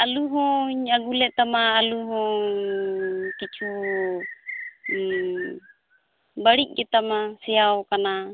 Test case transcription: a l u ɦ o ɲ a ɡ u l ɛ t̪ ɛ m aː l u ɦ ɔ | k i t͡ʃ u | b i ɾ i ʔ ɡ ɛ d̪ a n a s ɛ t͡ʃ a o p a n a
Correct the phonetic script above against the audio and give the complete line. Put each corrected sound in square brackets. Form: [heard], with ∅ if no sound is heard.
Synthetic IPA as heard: a l u ɦ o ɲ a ɡ u l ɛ t̪ [a] m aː l u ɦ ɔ | k i t͡ʃ u | b [a] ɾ i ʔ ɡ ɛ [t̪] a [m] a s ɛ [∅] a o [k] a n a

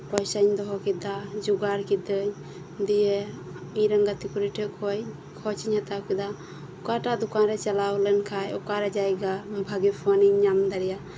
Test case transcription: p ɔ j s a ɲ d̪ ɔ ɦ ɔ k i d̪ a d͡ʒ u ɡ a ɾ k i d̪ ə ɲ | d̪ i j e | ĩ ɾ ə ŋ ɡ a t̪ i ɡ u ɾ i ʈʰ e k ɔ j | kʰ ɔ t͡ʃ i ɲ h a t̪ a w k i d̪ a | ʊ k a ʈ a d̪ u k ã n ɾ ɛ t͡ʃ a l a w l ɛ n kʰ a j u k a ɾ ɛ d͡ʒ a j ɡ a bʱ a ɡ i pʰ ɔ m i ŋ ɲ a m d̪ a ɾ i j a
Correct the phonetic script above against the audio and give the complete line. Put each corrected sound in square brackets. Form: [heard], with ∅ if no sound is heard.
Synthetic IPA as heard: p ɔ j s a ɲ d̪ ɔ ɦ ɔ k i d̪ a d͡ʒ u ɡ a ɾ k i d̪ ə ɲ | d̪ i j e | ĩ ɾ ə ŋ ɡ a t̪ i [k] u ɾ i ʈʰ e k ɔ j | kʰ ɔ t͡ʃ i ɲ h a t̪ a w k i d̪ a | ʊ k a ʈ a d̪ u k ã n ɾ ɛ t͡ʃ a l a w l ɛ n kʰ a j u k a ɾ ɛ d͡ʒ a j ɡ a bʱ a ɡ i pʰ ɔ [n] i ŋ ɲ a m d̪ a ɾ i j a

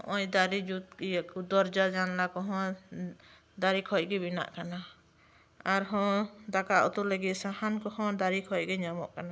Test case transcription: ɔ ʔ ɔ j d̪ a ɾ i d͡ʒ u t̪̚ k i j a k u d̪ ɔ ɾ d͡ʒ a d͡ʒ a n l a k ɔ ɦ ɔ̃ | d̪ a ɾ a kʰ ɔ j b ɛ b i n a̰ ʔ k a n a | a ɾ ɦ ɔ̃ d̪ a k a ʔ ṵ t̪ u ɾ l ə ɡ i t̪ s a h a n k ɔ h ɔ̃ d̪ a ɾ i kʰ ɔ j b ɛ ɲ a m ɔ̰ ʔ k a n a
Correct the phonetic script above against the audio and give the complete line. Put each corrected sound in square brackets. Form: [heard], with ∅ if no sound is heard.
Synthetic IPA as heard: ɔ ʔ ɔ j d̪ a ɾ i d͡ʒ u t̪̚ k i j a k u d̪ ɔ ɾ d͡ʒ a d͡ʒ a n l a k ɔ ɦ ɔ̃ | d̪ a ɾ [i] kʰ ɔ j [ɡ] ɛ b i n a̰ ʔ k a n a | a ɾ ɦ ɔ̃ d̪ a k a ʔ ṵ t̪ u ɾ l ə ɡ i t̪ s a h a n k ɔ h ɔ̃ d̪ a ɾ i kʰ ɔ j [ɡ] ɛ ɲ a m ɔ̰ ʔ k a n a

